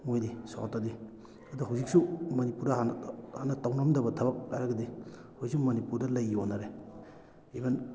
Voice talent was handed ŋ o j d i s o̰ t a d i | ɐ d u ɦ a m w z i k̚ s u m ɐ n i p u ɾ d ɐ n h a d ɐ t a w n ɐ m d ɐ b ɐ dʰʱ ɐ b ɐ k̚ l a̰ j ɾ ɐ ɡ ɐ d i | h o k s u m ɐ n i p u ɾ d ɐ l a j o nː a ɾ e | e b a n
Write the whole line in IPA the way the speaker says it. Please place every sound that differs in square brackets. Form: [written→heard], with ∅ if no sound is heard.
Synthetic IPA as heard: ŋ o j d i s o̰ t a d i | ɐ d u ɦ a [m→∅] w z i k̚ s u m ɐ n i p u ɾ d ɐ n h a [d→n] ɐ t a w n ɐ m d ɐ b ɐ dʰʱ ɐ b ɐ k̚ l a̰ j ɾ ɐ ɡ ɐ d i | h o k s u m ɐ n i p u ɾ d ɐ l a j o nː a ɾ e | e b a n